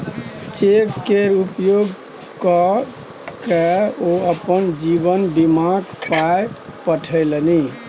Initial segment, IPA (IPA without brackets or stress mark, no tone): t͡ʃ